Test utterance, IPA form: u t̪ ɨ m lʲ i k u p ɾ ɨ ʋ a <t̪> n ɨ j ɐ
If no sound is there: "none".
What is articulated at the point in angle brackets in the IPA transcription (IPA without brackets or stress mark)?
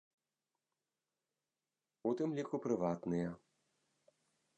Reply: t̪